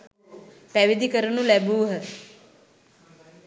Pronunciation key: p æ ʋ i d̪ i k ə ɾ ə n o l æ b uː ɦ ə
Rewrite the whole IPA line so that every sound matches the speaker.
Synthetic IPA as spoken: p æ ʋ i d̪ i k ə ɾ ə n u l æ b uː ɦ ə